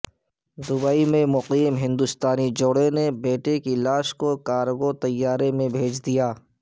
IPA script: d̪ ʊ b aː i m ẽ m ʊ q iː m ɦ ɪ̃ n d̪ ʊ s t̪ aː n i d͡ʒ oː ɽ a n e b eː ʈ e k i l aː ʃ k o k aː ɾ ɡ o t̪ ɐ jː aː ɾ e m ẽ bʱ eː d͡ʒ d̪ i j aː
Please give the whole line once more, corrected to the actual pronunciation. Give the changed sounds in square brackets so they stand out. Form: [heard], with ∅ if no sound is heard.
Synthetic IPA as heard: d̪ ʊ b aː i m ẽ m ʊ q iː m ɦ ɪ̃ n d̪ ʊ s t̪ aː n i d͡ʒ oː ɽ [e] n e b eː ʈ e k i l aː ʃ k o k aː ɾ ɡ o t̪ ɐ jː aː ɾ e m ẽ bʱ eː d͡ʒ d̪ i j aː